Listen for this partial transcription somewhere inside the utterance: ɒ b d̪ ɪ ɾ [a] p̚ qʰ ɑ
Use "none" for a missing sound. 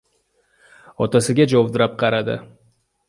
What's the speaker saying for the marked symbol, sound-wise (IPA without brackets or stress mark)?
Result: a